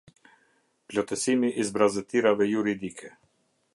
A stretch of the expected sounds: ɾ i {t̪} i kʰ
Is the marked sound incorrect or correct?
incorrect